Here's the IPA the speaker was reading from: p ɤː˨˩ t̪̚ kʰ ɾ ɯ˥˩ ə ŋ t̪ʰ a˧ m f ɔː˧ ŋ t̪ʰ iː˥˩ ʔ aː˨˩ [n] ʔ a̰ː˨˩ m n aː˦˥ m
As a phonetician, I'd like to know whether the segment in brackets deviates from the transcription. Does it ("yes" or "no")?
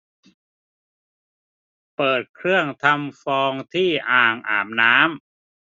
yes